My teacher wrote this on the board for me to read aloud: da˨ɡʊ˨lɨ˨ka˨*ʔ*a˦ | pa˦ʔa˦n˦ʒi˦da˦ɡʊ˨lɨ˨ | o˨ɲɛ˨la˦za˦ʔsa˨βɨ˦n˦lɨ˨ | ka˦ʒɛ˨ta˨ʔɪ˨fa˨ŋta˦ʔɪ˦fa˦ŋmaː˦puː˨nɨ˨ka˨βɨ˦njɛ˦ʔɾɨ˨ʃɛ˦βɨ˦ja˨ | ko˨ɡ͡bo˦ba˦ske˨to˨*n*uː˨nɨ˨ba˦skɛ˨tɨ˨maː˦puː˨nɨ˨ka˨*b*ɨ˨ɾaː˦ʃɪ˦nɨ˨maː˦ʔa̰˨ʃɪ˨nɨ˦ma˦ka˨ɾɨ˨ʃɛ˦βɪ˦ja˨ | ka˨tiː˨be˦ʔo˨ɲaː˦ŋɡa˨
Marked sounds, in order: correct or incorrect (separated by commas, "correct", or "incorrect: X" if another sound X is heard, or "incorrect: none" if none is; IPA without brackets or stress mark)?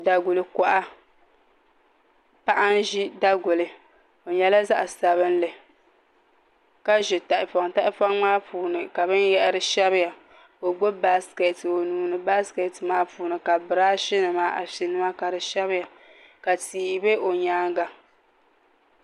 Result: correct, correct, correct